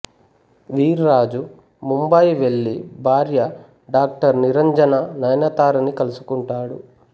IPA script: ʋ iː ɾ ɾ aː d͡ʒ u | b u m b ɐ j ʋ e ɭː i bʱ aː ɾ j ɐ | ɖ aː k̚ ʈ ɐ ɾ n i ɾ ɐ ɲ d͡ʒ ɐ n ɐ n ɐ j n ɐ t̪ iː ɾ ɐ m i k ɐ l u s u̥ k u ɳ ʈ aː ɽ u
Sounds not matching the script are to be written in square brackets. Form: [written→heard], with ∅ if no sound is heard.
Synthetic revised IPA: ʋ iː ɾ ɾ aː d͡ʒ u | [b→m] u m b ɐ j ʋ e ɭː i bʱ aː ɾ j ɐ | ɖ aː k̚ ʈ ɐ ɾ n i ɾ ɐ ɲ d͡ʒ ɐ n ɐ n ɐ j n ɐ t̪ [iː→aː] ɾ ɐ [m→n] i k ɐ l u s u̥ k u ɳ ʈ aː ɽ u